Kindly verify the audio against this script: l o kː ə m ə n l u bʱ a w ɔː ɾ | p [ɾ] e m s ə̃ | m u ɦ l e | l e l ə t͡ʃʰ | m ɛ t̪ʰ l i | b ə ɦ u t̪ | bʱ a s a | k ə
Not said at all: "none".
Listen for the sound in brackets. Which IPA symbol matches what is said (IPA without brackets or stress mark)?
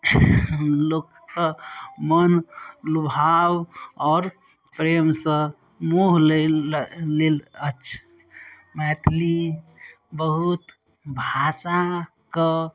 ɾ